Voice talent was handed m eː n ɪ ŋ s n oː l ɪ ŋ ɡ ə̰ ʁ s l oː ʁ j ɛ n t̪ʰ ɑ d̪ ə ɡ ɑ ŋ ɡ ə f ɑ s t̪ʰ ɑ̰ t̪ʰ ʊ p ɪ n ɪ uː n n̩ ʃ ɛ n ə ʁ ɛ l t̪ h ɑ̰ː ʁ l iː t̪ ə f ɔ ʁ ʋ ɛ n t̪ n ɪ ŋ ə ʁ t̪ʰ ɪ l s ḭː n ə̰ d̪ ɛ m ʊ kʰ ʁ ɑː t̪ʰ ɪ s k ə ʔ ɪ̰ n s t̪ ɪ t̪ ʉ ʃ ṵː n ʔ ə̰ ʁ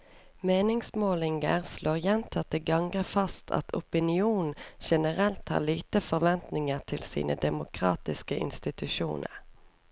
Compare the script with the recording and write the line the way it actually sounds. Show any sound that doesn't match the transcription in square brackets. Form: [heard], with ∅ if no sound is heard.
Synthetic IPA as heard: m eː n ɪ ŋ s [m] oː l ɪ ŋ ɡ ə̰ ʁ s l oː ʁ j ɛ n t̪ʰ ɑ [t̪] ə ɡ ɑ ŋ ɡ ə f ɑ s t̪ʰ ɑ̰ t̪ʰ ʊ p ɪ n ɪ uː n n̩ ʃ ɛ n ə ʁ ɛ l t̪ h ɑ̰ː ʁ l iː t̪ ə f ɔ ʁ ʋ ɛ n t̪ n ɪ ŋ ə ʁ t̪ʰ ɪ l s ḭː n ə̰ d̪ ɛ m ʊ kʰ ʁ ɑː [t̪] ɪ s k ə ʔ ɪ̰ n s t̪ ɪ t̪ ʉ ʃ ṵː n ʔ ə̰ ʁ